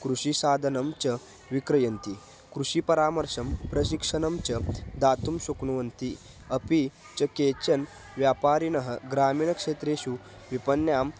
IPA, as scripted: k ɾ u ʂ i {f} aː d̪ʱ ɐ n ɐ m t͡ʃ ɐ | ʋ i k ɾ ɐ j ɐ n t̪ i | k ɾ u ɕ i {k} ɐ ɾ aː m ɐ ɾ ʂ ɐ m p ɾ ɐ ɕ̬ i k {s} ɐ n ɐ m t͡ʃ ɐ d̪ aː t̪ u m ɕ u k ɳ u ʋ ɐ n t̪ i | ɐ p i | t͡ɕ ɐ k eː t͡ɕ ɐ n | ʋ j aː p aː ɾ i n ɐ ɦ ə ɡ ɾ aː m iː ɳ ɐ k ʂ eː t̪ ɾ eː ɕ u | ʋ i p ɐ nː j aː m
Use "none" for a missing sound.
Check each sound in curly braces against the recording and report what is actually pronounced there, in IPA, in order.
s, p, ʂ

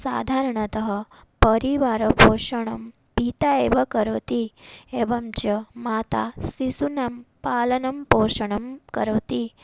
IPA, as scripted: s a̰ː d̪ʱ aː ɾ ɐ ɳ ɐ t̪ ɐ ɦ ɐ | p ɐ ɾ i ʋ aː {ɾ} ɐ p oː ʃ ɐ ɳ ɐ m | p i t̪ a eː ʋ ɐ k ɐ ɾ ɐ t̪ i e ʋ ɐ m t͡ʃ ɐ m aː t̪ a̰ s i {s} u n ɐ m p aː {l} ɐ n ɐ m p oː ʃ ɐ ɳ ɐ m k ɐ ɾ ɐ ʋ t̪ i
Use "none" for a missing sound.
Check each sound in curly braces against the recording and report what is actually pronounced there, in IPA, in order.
ɾ, s, l

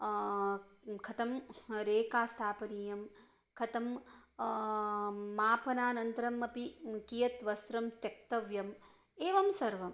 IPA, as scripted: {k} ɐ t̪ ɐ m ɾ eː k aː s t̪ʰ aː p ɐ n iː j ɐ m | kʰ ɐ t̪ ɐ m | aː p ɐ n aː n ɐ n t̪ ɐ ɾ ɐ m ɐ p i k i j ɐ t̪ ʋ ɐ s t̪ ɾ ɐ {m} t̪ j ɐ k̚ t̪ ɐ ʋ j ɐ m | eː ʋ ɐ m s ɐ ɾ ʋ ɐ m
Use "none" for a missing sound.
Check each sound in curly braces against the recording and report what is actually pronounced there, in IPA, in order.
kʰ, m

